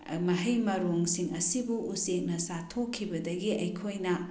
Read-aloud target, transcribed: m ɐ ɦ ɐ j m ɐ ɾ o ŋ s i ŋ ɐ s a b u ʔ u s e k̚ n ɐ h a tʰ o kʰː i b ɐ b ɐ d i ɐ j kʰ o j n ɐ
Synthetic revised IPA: m ɐ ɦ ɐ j m ɐ ɾ o ŋ s i ŋ ɐ s i b u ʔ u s e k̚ n ɐ s a tʰ o kʰː i b ɐ d ɐ ɡ i ɐ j kʰ o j n ɐ